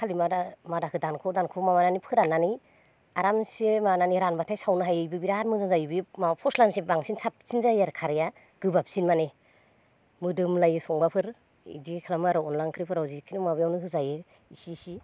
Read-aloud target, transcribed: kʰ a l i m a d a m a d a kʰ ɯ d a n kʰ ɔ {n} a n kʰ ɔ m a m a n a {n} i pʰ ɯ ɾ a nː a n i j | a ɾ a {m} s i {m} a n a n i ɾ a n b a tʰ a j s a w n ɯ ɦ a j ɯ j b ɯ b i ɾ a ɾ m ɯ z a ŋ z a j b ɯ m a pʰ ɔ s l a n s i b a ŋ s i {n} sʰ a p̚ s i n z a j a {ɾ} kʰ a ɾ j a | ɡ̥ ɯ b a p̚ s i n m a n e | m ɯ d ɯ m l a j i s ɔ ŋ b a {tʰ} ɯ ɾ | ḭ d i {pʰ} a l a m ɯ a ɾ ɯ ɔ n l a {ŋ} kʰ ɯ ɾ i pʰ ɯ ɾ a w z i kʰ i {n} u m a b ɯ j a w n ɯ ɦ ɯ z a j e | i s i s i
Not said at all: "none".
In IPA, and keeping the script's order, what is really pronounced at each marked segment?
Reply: d, n, m, m, n, ɾ, pʰ, kʰ, ŋ, n

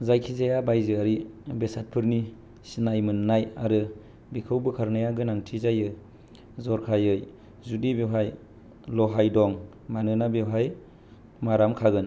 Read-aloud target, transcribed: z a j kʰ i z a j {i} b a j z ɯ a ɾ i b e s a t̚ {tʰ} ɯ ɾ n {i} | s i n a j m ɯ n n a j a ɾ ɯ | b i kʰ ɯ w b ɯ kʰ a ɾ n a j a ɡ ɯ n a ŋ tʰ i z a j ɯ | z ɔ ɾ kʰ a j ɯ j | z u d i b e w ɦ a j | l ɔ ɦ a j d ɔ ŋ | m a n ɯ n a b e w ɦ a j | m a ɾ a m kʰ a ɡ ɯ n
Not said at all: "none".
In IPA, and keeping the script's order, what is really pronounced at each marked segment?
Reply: a, pʰ, i

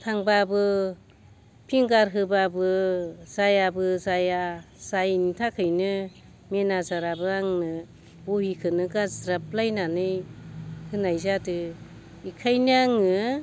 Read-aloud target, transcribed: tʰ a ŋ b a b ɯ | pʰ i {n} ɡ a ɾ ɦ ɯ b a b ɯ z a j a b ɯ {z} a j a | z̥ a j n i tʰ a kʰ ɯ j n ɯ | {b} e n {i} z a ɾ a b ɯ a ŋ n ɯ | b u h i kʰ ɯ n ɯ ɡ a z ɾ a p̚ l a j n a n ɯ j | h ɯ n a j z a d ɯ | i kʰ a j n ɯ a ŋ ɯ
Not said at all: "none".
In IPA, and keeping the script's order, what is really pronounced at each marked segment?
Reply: ŋ, z, m, a

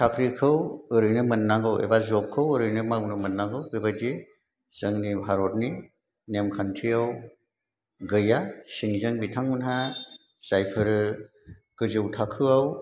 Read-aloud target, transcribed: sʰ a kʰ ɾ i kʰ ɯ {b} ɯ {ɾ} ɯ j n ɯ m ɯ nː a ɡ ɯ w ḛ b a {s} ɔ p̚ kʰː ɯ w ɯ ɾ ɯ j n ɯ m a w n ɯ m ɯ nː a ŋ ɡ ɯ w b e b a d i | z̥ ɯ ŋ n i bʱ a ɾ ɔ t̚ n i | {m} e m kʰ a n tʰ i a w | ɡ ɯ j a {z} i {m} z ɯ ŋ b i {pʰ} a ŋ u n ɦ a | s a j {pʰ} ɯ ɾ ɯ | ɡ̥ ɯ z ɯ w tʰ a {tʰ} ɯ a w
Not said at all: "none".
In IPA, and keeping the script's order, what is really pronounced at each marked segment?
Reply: w, ɾ, z, n, s, ŋ, tʰ, pʰ, kʰ

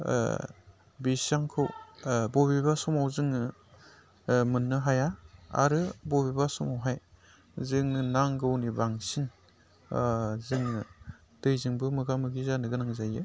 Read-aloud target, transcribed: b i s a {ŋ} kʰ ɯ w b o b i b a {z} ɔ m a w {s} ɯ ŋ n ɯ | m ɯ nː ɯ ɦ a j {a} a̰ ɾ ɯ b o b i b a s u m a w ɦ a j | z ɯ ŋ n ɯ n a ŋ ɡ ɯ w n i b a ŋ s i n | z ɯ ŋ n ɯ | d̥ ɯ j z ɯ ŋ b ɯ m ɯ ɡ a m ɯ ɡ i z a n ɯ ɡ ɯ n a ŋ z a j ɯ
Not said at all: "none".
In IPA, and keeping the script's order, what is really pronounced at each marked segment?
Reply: ŋ, s, z, a

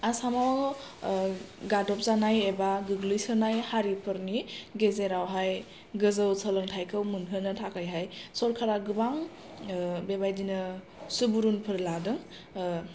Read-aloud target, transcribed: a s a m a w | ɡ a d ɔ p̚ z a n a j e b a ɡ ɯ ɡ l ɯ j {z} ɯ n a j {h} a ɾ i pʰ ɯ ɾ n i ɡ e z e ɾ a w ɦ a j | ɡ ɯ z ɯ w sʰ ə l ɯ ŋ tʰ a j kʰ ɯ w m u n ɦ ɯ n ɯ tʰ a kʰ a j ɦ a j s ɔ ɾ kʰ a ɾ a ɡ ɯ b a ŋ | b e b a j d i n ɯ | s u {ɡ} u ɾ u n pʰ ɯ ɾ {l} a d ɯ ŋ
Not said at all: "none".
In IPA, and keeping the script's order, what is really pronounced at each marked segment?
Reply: s, h, b, l

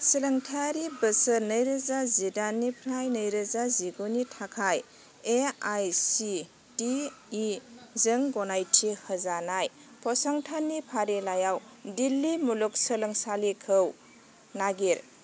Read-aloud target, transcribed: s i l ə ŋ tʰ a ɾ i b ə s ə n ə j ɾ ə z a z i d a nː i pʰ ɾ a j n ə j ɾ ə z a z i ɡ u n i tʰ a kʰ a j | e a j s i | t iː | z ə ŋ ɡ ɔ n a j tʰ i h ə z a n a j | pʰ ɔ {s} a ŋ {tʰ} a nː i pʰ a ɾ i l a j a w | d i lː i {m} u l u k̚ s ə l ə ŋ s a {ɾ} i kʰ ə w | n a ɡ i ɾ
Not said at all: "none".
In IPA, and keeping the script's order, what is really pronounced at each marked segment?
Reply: s, tʰ, m, l

